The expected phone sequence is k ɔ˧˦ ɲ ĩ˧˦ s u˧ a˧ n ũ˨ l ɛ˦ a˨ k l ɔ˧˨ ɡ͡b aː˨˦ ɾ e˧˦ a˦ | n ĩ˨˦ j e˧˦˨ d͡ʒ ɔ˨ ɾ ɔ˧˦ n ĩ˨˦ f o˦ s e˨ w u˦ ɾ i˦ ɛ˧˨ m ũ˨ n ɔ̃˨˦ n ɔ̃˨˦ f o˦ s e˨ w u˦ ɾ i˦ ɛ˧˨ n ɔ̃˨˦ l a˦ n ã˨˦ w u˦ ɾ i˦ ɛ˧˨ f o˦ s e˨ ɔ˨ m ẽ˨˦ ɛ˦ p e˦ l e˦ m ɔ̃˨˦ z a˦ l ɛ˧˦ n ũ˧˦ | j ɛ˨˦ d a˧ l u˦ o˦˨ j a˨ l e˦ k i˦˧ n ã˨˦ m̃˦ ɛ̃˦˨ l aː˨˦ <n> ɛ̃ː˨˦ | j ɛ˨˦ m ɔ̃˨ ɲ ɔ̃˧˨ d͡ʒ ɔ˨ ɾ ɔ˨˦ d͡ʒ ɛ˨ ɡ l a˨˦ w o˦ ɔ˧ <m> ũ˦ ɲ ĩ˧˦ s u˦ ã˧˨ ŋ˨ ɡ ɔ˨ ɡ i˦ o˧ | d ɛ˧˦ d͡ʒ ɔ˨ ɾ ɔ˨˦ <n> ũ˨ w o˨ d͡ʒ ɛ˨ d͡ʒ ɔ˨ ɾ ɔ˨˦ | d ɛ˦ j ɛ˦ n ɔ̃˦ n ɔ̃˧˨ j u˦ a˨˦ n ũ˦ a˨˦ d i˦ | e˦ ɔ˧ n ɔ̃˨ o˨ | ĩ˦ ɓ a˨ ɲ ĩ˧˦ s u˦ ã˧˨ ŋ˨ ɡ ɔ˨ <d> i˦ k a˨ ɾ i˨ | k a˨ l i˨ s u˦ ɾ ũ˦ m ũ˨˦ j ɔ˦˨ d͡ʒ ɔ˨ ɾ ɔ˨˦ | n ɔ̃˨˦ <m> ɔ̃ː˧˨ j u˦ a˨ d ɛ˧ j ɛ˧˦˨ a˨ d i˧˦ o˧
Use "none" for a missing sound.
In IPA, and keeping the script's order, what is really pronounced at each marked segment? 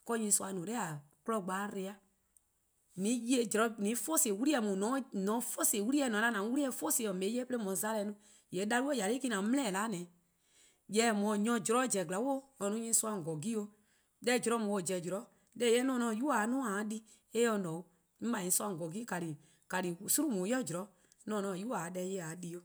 n, n, m, ɡ, n

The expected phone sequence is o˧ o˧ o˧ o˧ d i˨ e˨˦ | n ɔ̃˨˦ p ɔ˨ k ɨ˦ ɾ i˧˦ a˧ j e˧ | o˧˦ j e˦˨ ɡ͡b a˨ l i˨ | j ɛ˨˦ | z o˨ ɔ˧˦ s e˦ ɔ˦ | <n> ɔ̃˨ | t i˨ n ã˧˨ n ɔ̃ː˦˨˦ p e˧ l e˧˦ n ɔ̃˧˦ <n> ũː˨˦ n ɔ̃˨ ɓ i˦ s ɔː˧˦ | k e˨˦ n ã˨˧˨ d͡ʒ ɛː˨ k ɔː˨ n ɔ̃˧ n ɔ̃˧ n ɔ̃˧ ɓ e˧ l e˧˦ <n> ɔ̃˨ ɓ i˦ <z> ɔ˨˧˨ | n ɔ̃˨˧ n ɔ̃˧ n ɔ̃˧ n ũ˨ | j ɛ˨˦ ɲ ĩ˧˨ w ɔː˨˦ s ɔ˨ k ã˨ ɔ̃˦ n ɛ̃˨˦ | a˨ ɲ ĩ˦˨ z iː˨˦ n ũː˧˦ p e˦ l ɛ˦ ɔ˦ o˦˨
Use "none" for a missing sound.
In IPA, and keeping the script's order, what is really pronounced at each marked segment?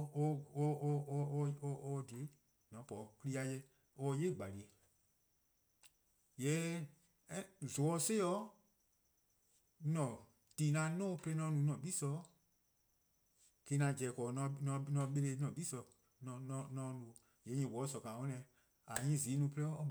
n, n, n, s

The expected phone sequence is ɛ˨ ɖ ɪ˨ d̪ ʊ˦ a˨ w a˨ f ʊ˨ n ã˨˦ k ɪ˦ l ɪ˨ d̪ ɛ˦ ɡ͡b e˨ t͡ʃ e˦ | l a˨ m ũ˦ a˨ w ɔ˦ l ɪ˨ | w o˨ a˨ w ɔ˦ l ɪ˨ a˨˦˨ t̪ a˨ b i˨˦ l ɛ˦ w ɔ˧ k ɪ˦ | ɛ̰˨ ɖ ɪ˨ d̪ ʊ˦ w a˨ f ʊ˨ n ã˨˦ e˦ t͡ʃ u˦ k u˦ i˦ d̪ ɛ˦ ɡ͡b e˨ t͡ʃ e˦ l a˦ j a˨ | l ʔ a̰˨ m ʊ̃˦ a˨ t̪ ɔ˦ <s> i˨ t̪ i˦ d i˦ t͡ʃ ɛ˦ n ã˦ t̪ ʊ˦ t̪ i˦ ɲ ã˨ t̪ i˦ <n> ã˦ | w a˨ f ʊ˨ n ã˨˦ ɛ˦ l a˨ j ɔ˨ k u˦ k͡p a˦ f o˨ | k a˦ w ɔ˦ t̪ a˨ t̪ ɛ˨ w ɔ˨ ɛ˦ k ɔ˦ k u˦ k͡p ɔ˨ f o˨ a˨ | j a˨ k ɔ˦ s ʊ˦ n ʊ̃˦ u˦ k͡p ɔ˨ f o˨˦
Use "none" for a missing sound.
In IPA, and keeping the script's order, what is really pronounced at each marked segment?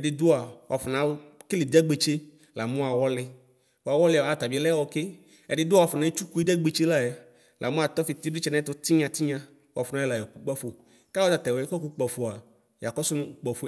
f, ɲ

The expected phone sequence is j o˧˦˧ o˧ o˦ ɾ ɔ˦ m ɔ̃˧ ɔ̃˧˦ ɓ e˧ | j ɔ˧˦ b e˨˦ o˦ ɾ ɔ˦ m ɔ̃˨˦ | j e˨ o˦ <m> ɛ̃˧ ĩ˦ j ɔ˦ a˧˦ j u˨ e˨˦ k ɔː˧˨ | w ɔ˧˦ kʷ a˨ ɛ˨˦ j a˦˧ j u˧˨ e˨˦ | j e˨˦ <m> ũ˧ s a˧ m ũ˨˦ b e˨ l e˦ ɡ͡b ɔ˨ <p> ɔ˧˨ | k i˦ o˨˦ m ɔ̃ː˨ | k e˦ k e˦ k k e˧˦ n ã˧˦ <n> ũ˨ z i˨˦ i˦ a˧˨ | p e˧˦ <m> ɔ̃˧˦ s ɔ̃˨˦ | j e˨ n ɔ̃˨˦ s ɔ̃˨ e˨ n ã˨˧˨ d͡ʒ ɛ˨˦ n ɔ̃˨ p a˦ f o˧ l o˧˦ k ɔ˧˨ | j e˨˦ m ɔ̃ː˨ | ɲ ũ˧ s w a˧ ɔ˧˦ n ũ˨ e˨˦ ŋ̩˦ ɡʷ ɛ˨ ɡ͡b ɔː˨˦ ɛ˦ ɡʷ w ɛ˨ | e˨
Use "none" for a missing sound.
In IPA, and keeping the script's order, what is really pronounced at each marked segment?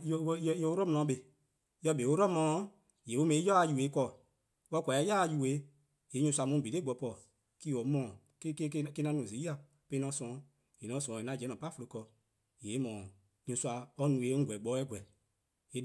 m, ɲ, p, n, n

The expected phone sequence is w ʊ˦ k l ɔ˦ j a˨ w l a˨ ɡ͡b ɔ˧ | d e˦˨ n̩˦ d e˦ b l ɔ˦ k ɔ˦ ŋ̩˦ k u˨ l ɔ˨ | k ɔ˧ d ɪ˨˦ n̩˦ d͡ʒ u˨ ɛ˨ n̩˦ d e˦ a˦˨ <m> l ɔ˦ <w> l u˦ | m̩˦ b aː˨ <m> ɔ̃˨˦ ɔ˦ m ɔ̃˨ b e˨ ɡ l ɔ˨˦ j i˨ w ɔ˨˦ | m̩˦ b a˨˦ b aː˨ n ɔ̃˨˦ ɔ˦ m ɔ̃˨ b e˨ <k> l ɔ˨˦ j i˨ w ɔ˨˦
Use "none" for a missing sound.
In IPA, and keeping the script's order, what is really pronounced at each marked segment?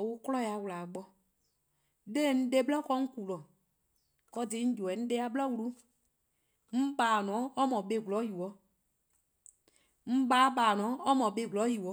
b, w, n, ɡ

